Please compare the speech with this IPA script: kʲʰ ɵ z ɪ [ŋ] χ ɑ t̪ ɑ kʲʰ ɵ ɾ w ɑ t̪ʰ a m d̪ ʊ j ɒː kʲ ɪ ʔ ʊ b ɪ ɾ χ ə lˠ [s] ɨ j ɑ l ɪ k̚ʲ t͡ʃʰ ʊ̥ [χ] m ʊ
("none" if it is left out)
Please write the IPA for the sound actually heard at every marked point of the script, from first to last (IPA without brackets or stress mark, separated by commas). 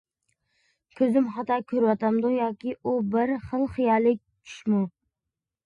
m, χ, ʃ